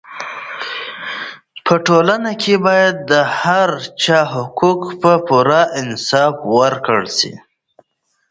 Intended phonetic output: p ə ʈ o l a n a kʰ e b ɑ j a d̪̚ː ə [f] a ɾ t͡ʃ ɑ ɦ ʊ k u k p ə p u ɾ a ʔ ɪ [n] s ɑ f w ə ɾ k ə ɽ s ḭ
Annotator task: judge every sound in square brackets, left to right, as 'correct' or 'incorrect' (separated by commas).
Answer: incorrect, correct